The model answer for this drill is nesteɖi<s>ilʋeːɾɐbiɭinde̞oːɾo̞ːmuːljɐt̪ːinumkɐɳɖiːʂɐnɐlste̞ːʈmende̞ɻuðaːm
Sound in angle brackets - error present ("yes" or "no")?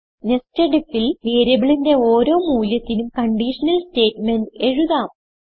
yes